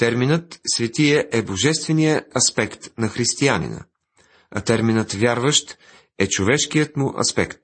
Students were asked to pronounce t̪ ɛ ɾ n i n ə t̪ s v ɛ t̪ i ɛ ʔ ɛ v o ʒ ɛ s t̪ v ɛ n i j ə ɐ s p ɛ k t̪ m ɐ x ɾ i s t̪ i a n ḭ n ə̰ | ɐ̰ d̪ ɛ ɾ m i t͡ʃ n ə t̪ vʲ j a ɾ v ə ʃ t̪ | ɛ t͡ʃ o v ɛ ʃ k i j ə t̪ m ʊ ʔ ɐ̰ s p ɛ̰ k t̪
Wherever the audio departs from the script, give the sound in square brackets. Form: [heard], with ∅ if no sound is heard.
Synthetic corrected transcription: t̪ ɛ ɾ [m] i n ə t̪ s v ɛ t̪ i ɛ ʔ ɛ [b] o ʒ ɛ s t̪ v ɛ n i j ə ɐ s p ɛ k t̪ [n] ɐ x ɾ i s t̪ i a n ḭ n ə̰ | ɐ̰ [t̪] ɛ ɾ m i [∅] n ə t̪ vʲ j a ɾ v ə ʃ t̪ | ɛ t͡ʃ o v ɛ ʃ k i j ə t̪ m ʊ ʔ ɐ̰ s p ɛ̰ k t̪